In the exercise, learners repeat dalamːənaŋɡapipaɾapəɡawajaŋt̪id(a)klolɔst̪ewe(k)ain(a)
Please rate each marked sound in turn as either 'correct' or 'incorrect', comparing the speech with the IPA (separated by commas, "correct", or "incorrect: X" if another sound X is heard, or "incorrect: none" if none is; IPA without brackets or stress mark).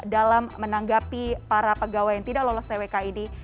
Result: correct, correct, incorrect: i